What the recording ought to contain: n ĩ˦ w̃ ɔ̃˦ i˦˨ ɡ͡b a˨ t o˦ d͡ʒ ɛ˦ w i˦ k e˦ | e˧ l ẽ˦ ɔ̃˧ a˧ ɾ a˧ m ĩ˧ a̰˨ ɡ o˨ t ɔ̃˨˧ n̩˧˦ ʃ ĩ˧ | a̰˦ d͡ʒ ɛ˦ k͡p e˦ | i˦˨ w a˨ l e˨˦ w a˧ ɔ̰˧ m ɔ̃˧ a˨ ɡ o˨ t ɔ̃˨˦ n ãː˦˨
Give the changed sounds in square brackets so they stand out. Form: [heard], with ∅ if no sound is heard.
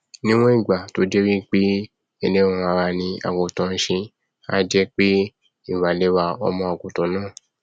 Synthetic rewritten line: n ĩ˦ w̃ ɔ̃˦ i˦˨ ɡ͡b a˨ t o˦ d͡ʒ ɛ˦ w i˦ [k͡p] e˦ | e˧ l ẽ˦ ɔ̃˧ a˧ ɾ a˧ [n] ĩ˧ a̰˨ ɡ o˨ t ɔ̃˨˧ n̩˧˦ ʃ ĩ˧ | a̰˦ d͡ʒ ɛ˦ k͡p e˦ | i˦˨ w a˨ l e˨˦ w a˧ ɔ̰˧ m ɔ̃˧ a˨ ɡ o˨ t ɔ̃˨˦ n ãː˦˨